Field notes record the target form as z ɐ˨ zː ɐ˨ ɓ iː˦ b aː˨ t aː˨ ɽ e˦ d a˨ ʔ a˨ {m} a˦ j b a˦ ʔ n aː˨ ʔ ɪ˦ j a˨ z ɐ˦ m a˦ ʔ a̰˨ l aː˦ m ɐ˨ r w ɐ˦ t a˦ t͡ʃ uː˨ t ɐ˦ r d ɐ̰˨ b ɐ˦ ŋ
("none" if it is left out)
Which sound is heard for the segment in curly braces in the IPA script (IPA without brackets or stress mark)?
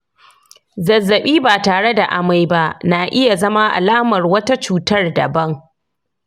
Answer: m